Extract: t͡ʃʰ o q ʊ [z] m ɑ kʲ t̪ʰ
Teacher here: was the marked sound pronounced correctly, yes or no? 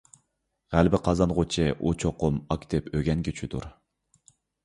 no